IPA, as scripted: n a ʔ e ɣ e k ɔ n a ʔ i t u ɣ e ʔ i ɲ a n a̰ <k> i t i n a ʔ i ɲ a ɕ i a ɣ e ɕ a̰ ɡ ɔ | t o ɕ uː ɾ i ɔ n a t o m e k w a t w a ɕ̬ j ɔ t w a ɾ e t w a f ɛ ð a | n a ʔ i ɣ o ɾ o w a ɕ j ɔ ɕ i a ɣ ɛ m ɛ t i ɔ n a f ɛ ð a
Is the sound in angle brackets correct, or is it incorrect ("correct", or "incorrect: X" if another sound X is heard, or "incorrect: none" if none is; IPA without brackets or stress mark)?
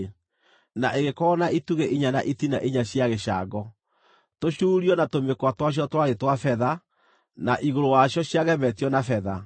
incorrect: ʔ